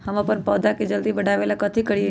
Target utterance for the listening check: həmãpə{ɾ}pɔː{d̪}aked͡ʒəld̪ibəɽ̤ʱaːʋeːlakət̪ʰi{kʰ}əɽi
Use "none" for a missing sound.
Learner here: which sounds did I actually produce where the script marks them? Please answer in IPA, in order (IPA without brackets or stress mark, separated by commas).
ɾ, d̪, k